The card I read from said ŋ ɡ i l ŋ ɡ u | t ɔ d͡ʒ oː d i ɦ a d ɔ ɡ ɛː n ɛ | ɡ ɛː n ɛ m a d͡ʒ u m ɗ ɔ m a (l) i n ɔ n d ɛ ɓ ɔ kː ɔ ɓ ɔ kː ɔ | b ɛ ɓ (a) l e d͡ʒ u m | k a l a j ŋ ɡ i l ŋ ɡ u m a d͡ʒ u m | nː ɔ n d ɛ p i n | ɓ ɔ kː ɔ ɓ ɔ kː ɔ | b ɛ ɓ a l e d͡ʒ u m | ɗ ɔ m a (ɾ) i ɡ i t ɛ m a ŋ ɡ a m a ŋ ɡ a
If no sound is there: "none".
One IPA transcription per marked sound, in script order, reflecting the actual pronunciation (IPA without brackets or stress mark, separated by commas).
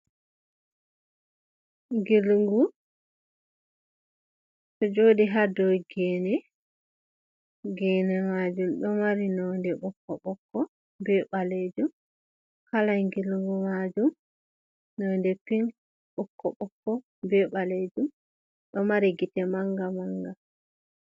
ɾ, a, ɾ